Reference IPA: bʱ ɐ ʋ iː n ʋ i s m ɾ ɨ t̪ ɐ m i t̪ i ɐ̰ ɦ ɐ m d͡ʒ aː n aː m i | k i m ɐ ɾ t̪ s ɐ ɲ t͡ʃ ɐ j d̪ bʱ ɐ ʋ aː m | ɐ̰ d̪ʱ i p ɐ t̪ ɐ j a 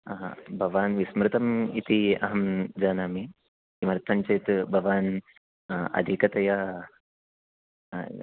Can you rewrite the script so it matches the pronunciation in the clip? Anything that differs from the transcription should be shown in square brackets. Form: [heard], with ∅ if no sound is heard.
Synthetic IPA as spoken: bʱ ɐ ʋ [aː] n ʋ i s m ɾ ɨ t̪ ɐ m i t̪ i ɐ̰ ɦ ɐ m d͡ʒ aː n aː m i | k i m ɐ ɾ t̪ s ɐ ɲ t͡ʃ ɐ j [t̪] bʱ ɐ ʋ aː [n] | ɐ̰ d̪ʱ i [k] ɐ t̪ ɐ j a